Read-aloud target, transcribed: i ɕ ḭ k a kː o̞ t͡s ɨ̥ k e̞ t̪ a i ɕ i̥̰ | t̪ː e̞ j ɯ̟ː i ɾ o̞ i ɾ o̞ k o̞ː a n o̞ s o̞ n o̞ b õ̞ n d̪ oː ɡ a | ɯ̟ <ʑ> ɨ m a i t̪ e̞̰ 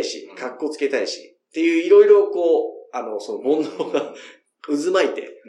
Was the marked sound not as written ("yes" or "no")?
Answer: yes